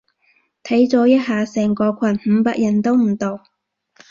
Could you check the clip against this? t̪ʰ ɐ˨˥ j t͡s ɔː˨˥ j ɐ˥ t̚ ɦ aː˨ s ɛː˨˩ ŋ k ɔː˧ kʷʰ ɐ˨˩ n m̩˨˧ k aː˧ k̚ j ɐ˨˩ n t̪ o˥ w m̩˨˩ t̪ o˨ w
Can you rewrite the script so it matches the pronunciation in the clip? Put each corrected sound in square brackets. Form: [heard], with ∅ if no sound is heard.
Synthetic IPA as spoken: t̪ʰ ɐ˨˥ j t͡s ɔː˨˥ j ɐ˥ t̚ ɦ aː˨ s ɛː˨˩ ŋ k ɔː˧ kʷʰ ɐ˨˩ n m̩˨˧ [p] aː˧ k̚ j ɐ˨˩ n t̪ o˥ w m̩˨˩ t̪ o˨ w